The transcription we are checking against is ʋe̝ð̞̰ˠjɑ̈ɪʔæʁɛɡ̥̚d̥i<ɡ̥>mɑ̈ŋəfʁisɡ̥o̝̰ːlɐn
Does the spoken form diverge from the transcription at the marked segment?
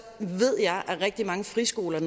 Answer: yes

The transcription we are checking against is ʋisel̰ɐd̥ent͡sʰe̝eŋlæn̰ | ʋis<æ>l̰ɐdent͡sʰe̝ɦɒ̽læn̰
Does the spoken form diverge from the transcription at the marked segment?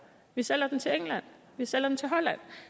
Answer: yes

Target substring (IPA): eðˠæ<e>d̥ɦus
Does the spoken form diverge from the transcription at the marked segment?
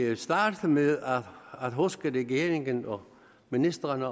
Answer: yes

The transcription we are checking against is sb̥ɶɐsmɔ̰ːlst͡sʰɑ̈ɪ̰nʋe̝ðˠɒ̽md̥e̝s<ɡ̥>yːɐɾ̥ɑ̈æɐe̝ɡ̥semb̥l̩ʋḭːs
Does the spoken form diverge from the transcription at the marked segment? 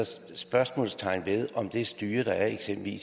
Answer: yes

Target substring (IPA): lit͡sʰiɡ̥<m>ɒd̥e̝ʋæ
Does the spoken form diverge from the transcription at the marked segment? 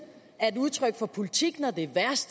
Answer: yes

